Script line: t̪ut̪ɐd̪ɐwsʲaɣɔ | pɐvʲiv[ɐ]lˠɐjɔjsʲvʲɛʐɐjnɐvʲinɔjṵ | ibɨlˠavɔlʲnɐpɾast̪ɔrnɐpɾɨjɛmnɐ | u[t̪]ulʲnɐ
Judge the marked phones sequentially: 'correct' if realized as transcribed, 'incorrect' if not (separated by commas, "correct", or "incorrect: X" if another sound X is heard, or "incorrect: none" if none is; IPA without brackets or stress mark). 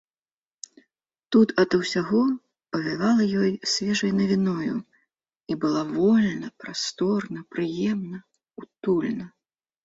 incorrect: a, correct